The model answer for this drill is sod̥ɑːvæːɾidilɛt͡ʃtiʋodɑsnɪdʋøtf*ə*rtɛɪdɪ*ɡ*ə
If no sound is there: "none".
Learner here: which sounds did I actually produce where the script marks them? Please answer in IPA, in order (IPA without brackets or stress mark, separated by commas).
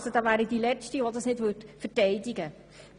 ə, ɡ